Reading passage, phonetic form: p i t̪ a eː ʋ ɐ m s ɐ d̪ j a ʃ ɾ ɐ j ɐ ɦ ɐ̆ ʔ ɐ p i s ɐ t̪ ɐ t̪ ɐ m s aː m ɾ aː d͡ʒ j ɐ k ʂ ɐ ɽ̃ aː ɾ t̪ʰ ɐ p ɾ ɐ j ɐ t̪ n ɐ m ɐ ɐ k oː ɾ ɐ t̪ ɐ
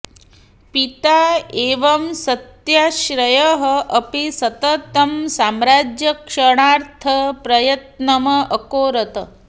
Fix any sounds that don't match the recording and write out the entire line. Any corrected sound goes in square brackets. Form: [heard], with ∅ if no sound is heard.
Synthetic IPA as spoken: p i t̪ a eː ʋ ɐ m s ɐ [t̪] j a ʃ ɾ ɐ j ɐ ɦ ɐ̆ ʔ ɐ p i s ɐ t̪ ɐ t̪ ɐ m s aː m ɾ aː d͡ʒ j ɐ k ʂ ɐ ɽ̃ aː ɾ t̪ʰ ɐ p ɾ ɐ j ɐ t̪ n ɐ m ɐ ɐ k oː ɾ ɐ t̪ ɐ